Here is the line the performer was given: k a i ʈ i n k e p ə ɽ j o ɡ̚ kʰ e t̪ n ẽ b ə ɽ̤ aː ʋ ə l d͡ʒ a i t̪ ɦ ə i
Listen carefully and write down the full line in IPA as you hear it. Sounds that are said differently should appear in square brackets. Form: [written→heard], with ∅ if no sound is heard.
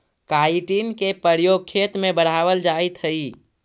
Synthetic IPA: k a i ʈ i n k e p ə [ɽ→ɾ] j o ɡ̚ kʰ e t̪ [n→m] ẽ b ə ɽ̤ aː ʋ ə l d͡ʒ a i t̪ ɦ ə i